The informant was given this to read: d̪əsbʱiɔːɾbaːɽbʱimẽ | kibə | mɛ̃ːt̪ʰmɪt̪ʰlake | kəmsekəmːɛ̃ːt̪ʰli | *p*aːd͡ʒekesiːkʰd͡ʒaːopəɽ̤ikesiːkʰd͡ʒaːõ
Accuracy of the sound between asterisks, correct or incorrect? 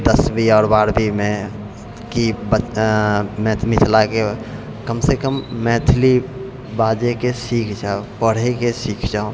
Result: incorrect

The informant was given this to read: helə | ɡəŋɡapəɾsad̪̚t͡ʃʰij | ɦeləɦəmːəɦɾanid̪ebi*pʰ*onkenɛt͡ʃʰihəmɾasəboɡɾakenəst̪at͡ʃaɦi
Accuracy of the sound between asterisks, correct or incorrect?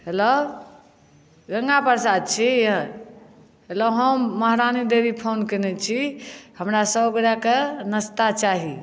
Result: correct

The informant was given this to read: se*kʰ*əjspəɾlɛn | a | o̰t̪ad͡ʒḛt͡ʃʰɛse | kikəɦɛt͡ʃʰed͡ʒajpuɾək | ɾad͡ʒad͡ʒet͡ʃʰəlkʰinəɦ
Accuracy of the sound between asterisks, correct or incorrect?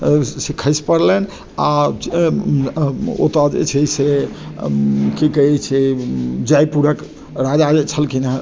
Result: correct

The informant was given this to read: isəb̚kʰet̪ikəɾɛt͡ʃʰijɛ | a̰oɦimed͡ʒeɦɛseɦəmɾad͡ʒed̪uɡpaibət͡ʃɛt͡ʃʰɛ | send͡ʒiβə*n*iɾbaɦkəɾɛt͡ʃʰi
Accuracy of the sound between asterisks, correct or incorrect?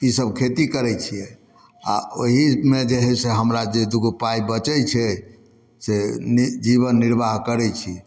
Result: incorrect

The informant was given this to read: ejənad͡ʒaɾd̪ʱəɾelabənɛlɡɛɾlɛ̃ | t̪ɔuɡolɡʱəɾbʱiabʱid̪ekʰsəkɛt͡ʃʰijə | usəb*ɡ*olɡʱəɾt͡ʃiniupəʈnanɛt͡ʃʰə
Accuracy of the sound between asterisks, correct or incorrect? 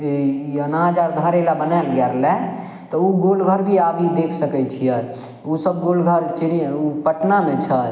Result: correct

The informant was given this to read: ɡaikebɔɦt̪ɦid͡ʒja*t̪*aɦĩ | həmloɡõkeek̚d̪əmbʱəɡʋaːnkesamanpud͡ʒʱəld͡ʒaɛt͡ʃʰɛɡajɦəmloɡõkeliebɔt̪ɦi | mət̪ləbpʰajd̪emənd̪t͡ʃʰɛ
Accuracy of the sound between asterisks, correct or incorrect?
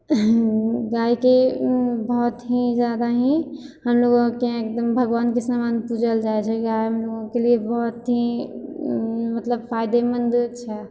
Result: incorrect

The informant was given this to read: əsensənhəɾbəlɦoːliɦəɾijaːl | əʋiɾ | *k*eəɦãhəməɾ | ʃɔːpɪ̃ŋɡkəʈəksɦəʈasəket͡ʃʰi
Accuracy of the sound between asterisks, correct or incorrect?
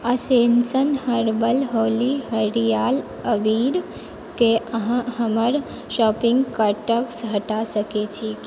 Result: correct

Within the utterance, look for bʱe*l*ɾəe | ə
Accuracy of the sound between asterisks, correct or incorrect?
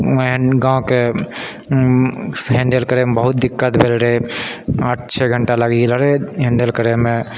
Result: correct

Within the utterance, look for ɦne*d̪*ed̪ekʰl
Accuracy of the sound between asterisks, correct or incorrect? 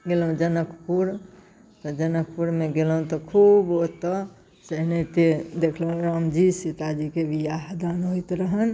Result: incorrect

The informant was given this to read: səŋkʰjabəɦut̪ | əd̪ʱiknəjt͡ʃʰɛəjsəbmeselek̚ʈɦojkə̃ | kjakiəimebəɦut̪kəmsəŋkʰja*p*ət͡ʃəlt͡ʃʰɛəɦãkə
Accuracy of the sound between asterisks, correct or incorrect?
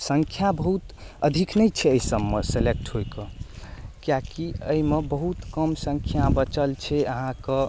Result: incorrect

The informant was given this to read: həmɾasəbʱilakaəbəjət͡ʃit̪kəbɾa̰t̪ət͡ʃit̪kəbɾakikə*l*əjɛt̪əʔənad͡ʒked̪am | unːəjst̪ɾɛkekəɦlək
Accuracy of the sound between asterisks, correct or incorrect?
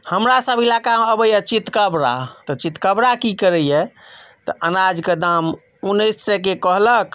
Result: incorrect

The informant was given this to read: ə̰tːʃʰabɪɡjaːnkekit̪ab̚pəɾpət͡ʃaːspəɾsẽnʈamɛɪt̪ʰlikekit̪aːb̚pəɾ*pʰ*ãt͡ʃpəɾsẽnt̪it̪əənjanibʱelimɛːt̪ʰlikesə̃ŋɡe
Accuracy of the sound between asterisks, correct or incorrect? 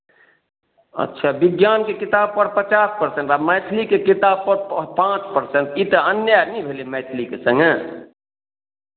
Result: incorrect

